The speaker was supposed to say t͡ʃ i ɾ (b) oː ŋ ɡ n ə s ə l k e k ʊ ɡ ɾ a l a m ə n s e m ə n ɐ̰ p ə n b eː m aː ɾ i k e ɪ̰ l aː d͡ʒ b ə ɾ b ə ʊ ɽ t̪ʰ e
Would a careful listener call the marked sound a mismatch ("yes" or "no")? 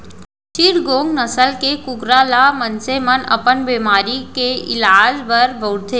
yes